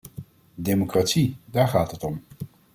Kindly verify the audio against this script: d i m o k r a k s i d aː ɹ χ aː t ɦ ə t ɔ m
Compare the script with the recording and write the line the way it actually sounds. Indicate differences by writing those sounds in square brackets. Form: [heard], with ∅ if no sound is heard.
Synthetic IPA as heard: d [e] m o k r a [t] s i d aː ɹ χ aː t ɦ ə t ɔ m

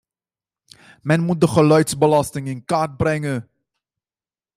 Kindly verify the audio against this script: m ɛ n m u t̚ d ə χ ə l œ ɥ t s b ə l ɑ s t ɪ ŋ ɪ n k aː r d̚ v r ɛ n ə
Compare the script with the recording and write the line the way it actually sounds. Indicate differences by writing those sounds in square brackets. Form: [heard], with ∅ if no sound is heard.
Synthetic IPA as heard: m ɛ n m u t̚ d ə χ ə l œ ɥ t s b ə l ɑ s t ɪ ŋ ɪ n k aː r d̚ [b] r ɛ [ŋ] ə

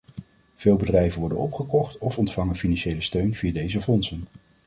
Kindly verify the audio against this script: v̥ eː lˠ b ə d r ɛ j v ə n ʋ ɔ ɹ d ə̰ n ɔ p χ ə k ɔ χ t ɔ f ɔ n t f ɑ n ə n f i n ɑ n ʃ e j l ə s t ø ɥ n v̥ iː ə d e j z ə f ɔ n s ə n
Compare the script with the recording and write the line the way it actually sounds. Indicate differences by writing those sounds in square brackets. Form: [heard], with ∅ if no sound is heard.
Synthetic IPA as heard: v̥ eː lˠ b ə d r ɛ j v ə n ʋ ɔ ɹ d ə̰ n ɔ p χ ə k ɔ χ t ɔ f ɔ n t f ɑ [ŋ] ə n f i n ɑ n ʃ e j l ə s t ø ɥ n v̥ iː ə d e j z ə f ɔ n s ə n

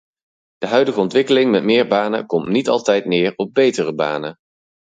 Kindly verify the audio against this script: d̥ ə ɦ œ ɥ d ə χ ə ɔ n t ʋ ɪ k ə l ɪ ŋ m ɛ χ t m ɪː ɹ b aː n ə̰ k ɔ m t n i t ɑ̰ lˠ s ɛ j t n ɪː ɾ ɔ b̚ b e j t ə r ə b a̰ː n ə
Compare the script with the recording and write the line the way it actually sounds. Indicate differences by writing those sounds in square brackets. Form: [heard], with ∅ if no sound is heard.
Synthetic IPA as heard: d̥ ə ɦ œ ɥ d ə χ ə ɔ n t ʋ ɪ k ə l ɪ ŋ m ɛ [∅] t m ɪː ɹ b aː n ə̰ k ɔ m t n i t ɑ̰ lˠ [t] ɛ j t n ɪː [ɹ] ɔ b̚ b e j t ə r ə b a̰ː n ə

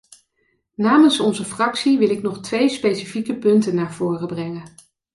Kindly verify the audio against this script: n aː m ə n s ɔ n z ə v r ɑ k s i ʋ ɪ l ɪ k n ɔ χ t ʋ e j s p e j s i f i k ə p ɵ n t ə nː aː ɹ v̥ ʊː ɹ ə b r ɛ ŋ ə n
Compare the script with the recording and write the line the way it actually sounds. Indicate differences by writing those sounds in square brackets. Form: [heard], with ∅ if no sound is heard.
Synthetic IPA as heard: n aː m ə n s ɔ n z ə [f] r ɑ k s i ʋ ɪ l ɪ k n ɔ χ t ʋ e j s p e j s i f i k ə p ɵ n t ə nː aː ɹ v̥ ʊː [r] ə b r ɛ ŋ ə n

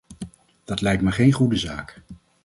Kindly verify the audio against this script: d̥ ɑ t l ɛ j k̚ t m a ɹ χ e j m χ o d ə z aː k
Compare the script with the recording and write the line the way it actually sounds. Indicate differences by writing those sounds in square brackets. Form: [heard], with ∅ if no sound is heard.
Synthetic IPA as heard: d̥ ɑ t l ɛ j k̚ t m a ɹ χ e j [n] χ [u] d ə z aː k

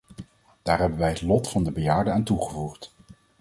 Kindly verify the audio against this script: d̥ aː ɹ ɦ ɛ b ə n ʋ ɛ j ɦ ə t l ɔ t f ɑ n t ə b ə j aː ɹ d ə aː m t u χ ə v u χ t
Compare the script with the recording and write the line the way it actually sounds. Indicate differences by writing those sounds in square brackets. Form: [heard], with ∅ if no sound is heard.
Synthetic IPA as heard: d̥ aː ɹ ɦ ɛ b ə n ʋ ɛ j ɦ ə t l ɔ t f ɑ n [d] ə b ə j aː ɹ d ə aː [n] t u χ ə v u χ t

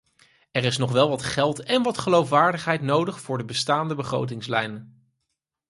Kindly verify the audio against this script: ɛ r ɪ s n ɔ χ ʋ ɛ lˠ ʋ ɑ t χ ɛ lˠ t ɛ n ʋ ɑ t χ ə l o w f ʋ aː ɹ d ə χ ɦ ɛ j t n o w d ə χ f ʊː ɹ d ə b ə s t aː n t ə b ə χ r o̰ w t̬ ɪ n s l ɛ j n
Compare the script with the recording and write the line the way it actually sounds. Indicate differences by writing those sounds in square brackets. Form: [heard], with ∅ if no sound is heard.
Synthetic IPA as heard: ɛ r ɪ s n ɔ χ ʋ ɛ lˠ ʋ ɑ t χ ɛ lˠ t ɛ n ʋ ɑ t χ ə l o w f ʋ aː ɹ d ə χ ɦ ɛ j t n o w d ə χ f ʊː ɹ d ə b ə s t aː n [d] ə b ə χ r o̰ w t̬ ɪ [ŋ] s l ɛ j n

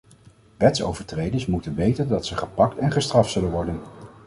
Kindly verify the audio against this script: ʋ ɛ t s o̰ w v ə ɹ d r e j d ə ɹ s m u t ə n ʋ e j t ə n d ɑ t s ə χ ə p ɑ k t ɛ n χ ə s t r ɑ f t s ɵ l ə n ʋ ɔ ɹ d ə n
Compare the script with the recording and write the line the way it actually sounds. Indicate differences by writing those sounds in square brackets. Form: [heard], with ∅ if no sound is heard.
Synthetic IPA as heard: ʋ ɛ t s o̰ w v ə ɹ [t] r e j d ə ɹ s m u t ə n ʋ e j t ə n d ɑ t s ə χ ə p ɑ k t ɛ n χ ə s t r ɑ f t s ɵ l ə n ʋ ɔ ɹ d ə n

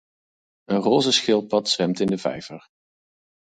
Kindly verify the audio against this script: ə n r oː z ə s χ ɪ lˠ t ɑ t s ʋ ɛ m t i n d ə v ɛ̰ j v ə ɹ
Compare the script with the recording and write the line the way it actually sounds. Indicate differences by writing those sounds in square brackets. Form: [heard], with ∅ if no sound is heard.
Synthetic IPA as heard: ə n r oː z ə s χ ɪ lˠ [p] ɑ t s ʋ ɛ m t [ɪ] n d ə v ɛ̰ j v ə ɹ

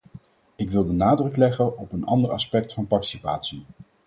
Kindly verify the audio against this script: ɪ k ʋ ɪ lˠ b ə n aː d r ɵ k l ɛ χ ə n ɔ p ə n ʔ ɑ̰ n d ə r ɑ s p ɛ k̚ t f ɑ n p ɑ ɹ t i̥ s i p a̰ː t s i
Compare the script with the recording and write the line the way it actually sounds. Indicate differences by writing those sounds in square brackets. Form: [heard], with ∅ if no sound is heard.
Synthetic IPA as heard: ɪ k ʋ ɪ lˠ [d] ə n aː d r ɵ k l ɛ χ ə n ɔ p ə n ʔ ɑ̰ n d ə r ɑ s p ɛ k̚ t f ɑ n p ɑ ɹ t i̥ s i p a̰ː t s i

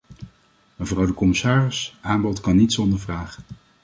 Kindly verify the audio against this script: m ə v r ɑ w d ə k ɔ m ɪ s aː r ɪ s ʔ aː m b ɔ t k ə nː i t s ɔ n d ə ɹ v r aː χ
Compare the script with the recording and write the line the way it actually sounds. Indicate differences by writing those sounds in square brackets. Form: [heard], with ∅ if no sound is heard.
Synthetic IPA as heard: m ə v r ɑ w d ə k ɔ m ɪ s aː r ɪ s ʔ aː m b ɔ t k [ɑ] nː i t s ɔ n d ə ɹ v r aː χ

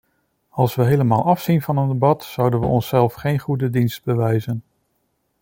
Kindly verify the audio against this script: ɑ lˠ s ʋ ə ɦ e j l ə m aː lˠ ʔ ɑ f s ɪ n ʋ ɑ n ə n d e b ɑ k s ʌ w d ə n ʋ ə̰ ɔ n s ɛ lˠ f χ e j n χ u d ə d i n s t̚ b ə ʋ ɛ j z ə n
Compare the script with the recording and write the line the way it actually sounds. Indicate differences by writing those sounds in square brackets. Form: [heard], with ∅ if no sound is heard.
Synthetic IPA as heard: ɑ lˠ s ʋ ə ɦ e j l ə m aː lˠ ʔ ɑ f s [i] n [v] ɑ n ə n d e b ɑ [t] s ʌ w d ə n ʋ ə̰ ɔ n s ɛ lˠ f χ e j n χ u d ə d i n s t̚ b ə ʋ ɛ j z ə n

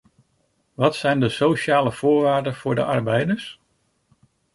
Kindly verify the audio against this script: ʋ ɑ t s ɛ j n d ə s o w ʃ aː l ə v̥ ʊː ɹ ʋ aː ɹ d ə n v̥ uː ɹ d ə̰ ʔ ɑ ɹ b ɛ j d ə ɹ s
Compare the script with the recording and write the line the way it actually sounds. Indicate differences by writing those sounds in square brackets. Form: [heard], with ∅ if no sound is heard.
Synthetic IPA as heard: ʋ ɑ t s ɛ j n d ə s o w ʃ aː l ə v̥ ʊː ɹ ʋ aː ɹ d ə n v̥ [ʊː] ɹ d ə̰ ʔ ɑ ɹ b ɛ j d ə ɹ s

